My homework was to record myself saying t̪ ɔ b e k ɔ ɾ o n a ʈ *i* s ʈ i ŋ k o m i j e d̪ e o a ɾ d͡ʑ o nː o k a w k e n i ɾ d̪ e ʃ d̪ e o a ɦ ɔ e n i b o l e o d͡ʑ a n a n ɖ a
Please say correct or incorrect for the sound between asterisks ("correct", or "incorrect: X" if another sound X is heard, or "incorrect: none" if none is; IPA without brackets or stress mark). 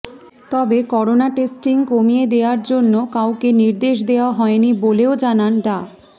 incorrect: e